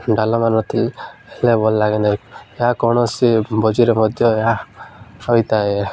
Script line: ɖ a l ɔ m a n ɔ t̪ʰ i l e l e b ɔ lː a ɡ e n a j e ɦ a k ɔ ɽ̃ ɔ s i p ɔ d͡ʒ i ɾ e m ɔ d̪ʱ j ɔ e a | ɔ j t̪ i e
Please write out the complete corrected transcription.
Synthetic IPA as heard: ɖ a l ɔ m a n ɔ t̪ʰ i l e l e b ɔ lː a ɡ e n a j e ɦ a k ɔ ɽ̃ ɔ s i b ɔ d͡ʒ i ɾ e m ɔ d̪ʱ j ɔ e a | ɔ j t̪ a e